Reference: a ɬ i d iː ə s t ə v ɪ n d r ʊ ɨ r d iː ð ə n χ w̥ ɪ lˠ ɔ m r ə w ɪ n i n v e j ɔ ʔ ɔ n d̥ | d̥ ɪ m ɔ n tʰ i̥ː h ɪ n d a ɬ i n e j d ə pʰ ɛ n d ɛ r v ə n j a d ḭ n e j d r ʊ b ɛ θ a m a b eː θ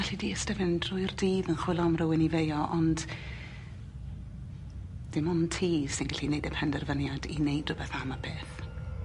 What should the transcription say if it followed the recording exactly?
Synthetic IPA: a ɬ i d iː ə s t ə v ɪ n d r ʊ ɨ r d iː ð ə n χ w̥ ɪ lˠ ɔ m r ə w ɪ n i v e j ɔ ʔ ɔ n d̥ | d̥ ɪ m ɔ n tʰ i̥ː s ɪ n ɡ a ɬ i n e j d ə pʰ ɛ n d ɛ r v ə n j a d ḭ n e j d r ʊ b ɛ θ a m a b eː θ